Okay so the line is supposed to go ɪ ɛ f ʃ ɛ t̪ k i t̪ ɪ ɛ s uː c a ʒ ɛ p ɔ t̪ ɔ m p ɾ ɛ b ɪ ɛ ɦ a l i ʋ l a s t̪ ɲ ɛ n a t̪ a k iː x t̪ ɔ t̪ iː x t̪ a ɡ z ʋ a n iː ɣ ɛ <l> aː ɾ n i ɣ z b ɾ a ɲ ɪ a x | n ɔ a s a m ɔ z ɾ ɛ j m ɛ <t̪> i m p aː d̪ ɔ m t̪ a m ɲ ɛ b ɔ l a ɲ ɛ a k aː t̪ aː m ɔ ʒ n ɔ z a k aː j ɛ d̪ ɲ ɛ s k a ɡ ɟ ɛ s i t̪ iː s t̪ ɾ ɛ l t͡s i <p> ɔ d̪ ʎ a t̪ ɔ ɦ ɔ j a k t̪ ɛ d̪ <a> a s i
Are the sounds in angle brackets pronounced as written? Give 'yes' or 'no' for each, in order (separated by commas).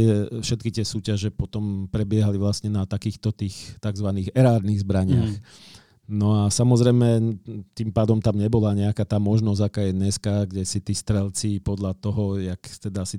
no, yes, yes, yes